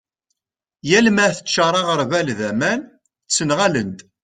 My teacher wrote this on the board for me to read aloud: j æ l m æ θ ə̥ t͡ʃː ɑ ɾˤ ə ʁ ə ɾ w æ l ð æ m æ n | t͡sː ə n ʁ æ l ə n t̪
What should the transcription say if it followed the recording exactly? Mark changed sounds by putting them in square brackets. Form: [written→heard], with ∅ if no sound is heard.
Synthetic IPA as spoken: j æ l m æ θ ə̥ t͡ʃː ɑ ɾˤ [ə→ɑ] ʁ ə ɾ [w→v] æ l ð æ m æ n | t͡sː ə n ʁ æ l ə n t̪

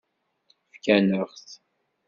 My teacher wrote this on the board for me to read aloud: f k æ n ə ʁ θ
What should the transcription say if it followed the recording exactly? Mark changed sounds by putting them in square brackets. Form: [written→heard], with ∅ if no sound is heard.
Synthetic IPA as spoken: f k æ n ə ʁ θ

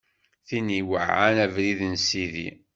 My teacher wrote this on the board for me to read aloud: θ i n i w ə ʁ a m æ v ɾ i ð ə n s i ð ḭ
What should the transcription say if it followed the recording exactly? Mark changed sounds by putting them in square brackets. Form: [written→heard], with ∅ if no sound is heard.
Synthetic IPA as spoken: θ i n i w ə [ʁ→ʕ] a [m→n] æ v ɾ i ð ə n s i ð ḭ

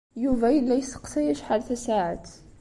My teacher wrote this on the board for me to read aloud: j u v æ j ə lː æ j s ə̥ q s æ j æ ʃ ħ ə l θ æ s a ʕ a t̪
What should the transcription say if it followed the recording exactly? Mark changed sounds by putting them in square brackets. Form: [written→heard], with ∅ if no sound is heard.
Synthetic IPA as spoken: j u v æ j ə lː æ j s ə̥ q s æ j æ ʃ ħ [ə→a] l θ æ s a ʕ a t̪

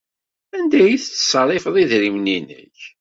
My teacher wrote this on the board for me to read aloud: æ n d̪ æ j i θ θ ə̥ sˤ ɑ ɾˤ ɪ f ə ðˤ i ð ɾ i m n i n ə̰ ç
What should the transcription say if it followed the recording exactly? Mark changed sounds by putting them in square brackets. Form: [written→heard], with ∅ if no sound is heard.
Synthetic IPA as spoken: æ n d̪ æ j i θ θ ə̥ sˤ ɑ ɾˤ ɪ f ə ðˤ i ð ɾ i m n i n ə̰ ç

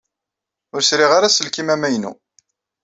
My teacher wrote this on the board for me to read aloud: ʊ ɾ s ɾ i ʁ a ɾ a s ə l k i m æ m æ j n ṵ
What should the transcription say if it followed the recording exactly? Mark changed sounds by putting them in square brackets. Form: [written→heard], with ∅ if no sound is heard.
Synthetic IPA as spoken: ʊ ɾ s ɾ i ʁ a ɾ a s ə l k i m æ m æ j n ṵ

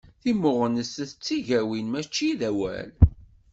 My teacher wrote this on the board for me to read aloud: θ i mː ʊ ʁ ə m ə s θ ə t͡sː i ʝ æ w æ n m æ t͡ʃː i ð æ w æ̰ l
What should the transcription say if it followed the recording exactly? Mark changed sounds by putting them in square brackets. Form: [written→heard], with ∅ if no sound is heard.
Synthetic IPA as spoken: θ i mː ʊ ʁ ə [m→n] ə s θ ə t͡sː i ʝ æ w [æ→i] n m æ t͡ʃː i ð æ w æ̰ l

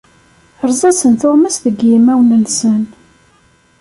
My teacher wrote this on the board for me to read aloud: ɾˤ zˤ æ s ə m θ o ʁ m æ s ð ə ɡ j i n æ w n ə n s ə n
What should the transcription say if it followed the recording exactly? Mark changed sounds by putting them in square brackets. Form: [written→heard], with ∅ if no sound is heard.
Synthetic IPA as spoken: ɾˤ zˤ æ s ə [m→n] θ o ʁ m æ s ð ə ɡ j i [n→m] æ w n ə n s ə n

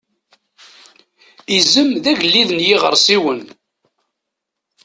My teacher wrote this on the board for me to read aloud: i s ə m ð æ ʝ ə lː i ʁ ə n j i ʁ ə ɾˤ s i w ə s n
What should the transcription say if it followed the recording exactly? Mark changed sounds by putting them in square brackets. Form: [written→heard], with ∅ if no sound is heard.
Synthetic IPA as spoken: i [s→z] ə m ð æ ʝ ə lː i [ʁ→ð] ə n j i ʁ ə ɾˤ s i w ə [s→∅] n

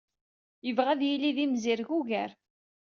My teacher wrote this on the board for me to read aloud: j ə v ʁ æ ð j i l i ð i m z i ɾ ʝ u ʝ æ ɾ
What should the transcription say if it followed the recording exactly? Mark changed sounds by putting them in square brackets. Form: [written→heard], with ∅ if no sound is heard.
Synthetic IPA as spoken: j ə v ʁ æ ð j i l i ð i m z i ɾ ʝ u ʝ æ ɾ

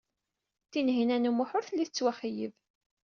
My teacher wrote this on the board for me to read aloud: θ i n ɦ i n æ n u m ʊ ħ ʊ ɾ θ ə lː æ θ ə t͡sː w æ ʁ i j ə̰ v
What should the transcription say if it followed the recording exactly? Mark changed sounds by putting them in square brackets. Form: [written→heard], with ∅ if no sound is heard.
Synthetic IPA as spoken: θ i n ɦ i n æ n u m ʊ ħ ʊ ɾ θ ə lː [æ→i] θ ə t͡sː w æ [ʁ→χ] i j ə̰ v

